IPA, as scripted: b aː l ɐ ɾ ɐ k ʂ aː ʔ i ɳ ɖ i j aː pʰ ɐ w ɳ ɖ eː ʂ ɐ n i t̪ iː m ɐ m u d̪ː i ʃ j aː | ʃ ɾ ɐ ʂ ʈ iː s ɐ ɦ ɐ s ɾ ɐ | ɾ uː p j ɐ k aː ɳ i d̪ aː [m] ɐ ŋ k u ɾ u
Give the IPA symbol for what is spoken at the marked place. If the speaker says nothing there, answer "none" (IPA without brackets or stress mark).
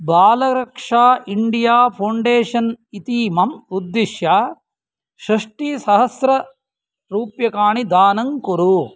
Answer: n